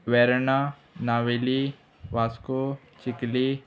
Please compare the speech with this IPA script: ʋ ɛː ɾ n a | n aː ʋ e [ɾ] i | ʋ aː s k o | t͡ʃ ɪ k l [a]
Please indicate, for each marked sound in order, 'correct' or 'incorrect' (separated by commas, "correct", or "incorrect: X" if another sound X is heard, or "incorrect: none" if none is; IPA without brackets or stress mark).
incorrect: l, incorrect: i